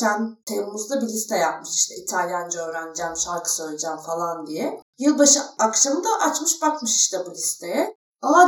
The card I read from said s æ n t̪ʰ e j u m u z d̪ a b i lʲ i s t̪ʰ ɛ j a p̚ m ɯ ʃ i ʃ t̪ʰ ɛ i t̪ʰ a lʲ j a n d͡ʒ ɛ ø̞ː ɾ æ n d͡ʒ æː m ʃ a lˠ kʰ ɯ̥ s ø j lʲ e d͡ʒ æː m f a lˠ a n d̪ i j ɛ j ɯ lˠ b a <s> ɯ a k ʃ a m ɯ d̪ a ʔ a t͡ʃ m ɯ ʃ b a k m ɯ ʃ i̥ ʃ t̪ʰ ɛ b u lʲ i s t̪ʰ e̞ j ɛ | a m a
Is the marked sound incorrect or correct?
incorrect